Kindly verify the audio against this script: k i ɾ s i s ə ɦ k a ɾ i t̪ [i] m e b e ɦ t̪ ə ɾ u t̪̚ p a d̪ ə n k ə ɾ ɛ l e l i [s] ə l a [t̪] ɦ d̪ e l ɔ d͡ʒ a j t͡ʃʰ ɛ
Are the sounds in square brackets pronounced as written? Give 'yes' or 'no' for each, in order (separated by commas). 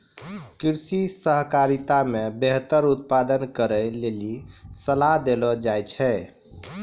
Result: no, yes, no